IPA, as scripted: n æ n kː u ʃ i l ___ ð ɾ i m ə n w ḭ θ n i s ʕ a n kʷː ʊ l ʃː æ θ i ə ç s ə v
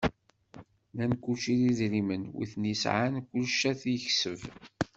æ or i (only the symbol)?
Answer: i